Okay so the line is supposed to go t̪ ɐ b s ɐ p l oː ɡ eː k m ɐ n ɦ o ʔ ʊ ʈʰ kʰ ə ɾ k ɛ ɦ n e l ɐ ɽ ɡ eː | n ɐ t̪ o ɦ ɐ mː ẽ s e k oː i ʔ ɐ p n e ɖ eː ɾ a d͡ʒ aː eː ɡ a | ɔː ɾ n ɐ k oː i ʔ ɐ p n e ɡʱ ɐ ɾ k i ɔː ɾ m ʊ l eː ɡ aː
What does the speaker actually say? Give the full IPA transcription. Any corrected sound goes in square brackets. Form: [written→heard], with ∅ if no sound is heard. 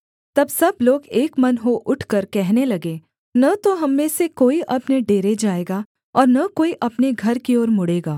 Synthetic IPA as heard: t̪ ɐ b s ɐ [p→b] l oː ɡ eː k m ɐ n ɦ o ʔ ʊ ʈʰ [kʰ→k] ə ɾ k ɛ ɦ n e l ɐ [ɽ→∅] ɡ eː | n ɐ t̪ o ɦ ɐ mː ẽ s e k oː i ʔ ɐ p n e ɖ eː ɾ [a→e] d͡ʒ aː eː ɡ a | ɔː ɾ n ɐ k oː i ʔ ɐ p n e ɡʱ ɐ ɾ k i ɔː ɾ m ʊ [l→ɽ] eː ɡ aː